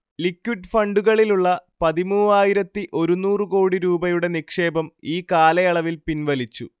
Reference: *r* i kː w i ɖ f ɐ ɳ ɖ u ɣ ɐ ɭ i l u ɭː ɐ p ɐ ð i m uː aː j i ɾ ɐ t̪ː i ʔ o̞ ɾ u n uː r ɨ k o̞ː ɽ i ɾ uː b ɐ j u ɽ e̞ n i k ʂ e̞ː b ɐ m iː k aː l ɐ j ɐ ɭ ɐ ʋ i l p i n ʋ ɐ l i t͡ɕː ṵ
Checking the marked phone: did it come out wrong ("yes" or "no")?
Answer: yes